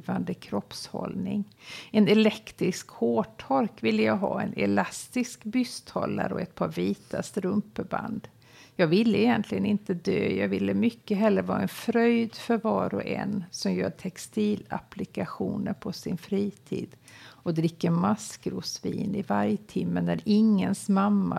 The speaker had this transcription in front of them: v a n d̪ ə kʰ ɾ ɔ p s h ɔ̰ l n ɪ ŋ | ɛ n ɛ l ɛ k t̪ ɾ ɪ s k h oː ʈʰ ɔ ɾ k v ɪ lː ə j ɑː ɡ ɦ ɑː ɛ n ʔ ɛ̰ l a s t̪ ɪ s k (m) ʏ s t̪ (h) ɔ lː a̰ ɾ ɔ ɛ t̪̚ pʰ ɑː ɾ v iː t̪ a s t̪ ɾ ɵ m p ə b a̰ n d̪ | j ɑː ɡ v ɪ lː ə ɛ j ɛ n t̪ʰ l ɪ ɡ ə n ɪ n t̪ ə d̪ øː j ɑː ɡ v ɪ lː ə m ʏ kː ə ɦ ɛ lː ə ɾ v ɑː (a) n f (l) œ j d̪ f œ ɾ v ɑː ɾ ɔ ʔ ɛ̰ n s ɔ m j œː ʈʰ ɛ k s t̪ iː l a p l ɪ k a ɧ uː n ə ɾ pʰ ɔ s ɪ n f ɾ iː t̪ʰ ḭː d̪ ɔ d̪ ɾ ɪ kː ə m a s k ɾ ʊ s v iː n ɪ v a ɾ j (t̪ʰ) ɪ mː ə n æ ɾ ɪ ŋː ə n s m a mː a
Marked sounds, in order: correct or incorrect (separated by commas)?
incorrect, correct, incorrect, incorrect, correct